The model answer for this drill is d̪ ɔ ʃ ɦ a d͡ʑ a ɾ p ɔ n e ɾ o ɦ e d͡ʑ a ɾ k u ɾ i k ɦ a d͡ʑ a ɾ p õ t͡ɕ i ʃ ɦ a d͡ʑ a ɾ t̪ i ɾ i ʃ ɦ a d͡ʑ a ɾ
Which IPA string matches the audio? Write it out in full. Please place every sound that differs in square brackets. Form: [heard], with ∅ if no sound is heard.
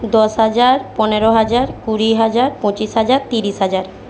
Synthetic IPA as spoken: d̪ ɔ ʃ ɦ a d͡ʑ a ɾ p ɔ n e ɾ o ɦ [a] d͡ʑ a ɾ k u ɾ i [∅] ɦ a d͡ʑ a ɾ p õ t͡ɕ i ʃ ɦ a d͡ʑ a ɾ t̪ i ɾ i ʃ ɦ a d͡ʑ a ɾ